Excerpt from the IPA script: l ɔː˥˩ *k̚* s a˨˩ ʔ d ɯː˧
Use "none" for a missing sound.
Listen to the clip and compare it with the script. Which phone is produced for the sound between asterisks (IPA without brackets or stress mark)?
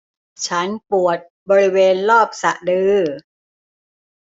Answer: p̚